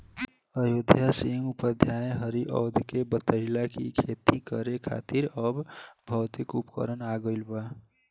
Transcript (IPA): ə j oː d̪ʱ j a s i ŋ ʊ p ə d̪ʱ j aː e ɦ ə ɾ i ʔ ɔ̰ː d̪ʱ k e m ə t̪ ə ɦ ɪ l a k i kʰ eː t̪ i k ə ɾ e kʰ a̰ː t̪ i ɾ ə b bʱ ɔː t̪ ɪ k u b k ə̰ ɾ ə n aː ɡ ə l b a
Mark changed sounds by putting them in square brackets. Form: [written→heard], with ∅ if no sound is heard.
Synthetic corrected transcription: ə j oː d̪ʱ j a s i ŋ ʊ p ə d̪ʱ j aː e ɦ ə ɾ i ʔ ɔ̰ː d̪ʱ k e [m→b] ə t̪ ə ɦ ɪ l a k i kʰ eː t̪ i k ə ɾ e kʰ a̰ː t̪ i ɾ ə b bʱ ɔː t̪ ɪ k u [b→p] k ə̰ ɾ ə n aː ɡ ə l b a